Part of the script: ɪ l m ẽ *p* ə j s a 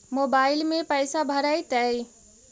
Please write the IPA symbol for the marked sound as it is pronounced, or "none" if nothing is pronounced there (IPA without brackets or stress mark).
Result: p